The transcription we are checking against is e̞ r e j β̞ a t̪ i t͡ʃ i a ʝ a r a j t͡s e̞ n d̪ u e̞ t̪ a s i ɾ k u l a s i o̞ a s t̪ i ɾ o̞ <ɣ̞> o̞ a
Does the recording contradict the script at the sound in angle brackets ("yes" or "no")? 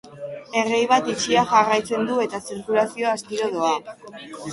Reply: yes